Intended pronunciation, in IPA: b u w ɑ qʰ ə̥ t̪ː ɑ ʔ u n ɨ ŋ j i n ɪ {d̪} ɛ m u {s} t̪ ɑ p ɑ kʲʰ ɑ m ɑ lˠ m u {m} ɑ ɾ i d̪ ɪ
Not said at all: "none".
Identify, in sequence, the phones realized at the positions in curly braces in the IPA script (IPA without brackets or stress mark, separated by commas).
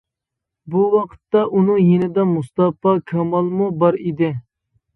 d̪, s, b